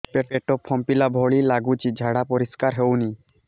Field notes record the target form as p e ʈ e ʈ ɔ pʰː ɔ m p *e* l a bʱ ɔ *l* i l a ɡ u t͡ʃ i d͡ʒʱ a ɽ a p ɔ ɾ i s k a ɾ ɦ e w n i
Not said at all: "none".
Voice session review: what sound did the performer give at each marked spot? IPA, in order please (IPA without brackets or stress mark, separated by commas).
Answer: i, ɭ